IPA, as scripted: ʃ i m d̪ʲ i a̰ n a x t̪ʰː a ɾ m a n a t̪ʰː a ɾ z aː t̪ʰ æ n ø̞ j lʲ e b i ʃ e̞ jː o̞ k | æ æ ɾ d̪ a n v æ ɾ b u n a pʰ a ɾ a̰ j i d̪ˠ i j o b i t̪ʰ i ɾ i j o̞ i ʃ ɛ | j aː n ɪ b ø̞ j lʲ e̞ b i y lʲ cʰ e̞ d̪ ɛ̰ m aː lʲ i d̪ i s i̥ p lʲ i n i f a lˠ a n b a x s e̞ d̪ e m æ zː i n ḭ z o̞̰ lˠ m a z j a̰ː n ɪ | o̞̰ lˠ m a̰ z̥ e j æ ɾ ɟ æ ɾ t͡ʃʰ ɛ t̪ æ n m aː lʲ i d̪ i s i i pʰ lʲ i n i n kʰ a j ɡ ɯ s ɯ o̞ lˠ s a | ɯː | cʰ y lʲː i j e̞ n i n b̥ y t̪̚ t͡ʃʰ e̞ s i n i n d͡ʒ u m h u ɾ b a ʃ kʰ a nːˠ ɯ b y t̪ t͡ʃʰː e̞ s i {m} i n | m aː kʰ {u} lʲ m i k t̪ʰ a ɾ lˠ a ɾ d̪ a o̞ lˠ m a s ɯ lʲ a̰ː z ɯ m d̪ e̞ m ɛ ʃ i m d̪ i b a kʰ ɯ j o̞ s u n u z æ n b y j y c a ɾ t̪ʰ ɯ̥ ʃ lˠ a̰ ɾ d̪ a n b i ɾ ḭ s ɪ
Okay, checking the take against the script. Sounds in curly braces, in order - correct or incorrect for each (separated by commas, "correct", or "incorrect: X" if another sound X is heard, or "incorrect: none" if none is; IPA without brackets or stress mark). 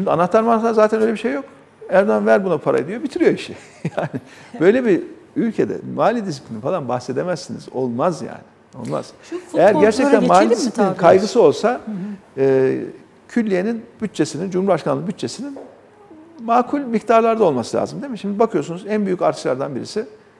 incorrect: n, correct